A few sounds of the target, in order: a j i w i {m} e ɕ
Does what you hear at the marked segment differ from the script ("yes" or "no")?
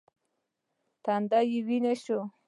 yes